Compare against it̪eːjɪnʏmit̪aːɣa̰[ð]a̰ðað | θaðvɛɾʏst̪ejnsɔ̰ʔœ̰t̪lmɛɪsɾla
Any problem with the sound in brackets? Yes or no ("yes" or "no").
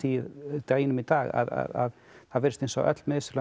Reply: no